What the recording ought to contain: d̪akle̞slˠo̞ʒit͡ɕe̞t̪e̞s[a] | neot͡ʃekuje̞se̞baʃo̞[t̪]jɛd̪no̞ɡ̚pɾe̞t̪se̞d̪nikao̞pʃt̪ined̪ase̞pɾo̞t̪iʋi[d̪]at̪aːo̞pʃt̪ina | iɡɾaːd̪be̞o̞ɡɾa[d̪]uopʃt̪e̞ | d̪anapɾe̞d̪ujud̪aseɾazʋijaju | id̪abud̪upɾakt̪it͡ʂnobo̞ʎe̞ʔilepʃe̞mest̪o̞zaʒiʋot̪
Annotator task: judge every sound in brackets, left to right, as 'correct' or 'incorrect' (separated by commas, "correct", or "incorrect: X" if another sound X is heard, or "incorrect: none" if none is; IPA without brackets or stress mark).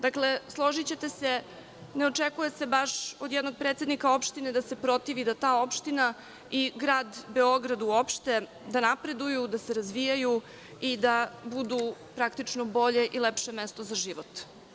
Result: incorrect: e, incorrect: d̪, correct, correct